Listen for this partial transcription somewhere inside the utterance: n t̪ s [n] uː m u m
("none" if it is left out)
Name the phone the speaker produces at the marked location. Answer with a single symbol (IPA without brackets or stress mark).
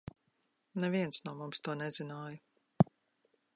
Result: n